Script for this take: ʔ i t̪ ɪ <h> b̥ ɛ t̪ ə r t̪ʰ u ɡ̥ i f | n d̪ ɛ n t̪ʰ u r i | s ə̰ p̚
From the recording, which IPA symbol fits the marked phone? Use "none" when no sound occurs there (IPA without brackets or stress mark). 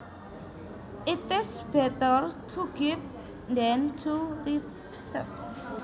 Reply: s